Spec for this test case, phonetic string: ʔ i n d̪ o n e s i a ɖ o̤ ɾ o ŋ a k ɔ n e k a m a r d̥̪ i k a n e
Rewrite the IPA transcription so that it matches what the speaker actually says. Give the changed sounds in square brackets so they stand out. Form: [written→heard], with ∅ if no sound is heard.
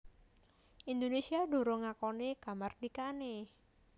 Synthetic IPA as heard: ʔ i n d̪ o n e s i a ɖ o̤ ɾ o ŋ a k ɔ n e k a m a r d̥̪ i k a n e